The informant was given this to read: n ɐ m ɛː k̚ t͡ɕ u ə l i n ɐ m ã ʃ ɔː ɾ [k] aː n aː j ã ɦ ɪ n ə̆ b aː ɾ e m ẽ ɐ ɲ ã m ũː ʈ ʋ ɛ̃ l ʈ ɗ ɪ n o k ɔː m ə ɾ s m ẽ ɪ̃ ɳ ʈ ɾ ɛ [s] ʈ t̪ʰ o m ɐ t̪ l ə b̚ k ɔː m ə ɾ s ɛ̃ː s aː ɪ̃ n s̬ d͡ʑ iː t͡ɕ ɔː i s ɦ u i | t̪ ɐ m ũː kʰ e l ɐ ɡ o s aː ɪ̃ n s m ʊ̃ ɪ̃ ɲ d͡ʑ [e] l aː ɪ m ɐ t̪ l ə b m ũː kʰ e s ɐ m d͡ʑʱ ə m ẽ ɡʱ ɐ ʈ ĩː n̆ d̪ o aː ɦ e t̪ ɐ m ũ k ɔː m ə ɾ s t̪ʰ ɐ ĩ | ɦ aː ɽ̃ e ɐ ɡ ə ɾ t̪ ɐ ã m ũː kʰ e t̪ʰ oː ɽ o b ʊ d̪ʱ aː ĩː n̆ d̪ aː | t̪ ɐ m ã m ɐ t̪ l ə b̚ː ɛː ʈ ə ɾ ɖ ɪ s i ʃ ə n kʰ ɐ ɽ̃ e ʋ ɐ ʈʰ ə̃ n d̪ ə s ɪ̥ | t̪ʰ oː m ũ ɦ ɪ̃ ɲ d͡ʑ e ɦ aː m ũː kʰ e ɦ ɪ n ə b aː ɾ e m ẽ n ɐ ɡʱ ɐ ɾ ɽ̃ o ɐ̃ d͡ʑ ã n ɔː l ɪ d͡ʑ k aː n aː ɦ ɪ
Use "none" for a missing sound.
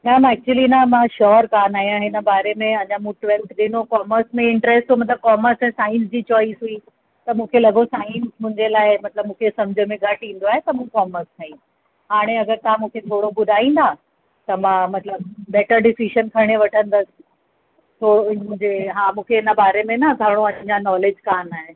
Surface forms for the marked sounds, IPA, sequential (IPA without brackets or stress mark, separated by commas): k, s, e